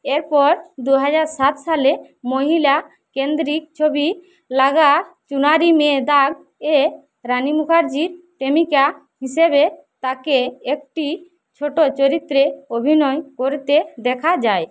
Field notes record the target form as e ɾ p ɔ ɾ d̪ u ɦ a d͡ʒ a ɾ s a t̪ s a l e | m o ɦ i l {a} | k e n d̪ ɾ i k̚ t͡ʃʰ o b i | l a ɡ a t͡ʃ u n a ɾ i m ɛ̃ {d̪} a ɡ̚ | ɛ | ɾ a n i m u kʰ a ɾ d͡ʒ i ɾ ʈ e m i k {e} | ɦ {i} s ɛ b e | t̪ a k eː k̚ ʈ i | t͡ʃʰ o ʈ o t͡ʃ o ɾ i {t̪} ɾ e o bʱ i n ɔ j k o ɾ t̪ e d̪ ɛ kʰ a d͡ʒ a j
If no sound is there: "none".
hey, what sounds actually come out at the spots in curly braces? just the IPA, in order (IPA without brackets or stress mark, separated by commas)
a, d̪, a, i, t̪